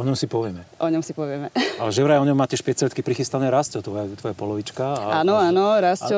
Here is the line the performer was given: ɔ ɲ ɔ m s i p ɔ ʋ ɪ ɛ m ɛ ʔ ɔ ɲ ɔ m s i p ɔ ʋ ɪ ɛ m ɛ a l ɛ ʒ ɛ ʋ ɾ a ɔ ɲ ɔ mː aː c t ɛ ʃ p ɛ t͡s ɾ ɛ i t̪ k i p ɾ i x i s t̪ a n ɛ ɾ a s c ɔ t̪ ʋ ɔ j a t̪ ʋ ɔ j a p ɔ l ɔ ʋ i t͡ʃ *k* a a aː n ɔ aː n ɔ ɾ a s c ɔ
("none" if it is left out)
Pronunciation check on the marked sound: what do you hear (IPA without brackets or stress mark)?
k